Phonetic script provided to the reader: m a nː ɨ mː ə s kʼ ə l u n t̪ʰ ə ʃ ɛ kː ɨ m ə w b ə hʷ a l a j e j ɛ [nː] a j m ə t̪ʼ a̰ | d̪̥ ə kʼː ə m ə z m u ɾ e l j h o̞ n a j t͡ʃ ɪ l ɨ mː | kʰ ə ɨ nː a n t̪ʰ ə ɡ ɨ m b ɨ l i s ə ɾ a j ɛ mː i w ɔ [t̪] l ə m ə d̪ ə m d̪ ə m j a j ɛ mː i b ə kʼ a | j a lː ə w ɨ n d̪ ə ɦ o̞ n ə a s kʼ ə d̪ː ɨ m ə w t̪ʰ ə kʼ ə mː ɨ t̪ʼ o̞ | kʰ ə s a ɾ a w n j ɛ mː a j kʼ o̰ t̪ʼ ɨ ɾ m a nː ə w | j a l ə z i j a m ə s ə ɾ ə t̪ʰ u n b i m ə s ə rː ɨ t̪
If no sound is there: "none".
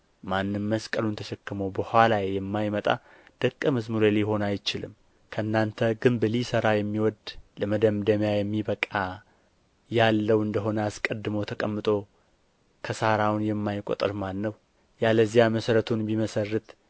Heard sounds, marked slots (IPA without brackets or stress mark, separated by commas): mː, d̪